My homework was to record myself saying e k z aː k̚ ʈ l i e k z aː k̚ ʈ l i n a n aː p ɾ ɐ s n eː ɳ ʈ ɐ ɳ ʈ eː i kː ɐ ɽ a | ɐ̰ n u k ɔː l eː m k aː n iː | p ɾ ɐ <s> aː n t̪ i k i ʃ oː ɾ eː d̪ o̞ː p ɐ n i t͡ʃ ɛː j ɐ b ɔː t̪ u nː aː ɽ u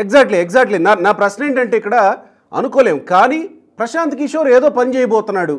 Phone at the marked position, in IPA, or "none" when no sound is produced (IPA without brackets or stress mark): ʃ